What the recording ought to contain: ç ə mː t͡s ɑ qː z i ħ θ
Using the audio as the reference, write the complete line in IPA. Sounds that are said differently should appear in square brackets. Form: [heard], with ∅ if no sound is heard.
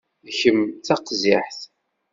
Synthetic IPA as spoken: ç ə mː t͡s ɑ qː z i ħ θ